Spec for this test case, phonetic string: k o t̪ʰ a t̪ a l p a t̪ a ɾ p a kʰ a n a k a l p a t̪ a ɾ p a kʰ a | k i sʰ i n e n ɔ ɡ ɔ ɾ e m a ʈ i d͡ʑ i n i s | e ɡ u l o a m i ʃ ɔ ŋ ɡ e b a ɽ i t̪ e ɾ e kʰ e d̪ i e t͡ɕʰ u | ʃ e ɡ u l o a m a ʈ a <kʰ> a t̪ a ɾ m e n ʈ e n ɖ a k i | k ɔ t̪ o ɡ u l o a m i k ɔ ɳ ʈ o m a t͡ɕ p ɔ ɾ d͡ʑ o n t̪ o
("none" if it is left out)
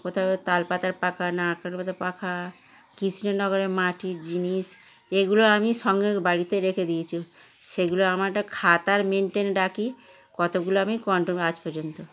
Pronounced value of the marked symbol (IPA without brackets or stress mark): kʰ